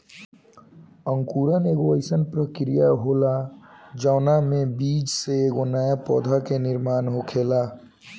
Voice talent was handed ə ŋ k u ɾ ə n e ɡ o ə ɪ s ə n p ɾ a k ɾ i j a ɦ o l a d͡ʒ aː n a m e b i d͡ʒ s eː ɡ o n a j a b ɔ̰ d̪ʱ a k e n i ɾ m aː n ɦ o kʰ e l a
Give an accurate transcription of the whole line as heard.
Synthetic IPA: ə ŋ k u ɾ ə n e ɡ o ə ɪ s ə n p ɾ ə k ɾ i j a ɦ o l a d͡ʒ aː n a m e b i d͡ʒ s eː ɡ o n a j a p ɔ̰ d̪ʱ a k e n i ɾ m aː n ɦ o kʰ e l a